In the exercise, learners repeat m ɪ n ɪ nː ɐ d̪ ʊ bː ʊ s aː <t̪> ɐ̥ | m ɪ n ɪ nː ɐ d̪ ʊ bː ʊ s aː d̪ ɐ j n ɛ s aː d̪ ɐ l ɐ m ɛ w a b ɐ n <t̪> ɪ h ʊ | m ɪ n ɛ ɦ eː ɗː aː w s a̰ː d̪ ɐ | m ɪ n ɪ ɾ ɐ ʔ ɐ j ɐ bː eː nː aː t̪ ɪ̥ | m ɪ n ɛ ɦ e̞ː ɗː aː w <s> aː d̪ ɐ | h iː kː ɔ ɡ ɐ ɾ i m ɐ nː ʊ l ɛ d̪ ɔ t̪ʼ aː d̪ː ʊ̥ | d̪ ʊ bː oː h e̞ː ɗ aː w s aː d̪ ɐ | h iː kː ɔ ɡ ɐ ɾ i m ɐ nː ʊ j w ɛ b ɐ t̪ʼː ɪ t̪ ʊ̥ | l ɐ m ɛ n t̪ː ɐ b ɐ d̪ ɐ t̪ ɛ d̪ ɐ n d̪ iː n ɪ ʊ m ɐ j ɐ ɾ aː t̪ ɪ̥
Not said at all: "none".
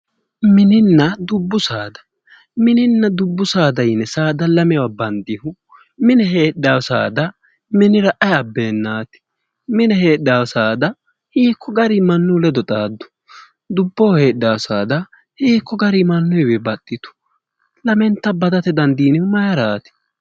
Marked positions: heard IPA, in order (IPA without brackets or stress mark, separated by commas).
d̪, d̪, s